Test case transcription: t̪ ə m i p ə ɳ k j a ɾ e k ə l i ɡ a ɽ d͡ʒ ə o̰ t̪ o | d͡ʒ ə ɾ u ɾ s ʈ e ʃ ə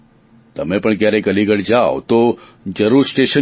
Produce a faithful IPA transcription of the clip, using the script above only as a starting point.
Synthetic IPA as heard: t̪ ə m e p ə ɳ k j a ɾ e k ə l i ɡ ə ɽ d͡ʒ a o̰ t̪ o | d͡ʒ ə ɾ u ɾ s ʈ e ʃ ə